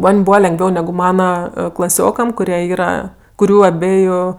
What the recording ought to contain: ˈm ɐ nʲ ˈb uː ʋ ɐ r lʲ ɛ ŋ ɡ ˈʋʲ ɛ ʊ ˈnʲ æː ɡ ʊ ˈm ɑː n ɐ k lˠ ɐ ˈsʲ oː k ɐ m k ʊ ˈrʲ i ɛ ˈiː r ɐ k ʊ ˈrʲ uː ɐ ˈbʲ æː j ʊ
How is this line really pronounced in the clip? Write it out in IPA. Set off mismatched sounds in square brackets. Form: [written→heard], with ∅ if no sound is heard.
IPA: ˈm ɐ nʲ ˈb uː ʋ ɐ [r→∅] lʲ ɛ ŋ ɡ ˈʋʲ ɛ ʊ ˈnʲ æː ɡ ʊ ˈm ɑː n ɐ k lˠ ɐ ˈsʲ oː k ɐ m k ʊ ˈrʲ i ɛ ˈiː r ɐ k ʊ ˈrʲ uː ɐ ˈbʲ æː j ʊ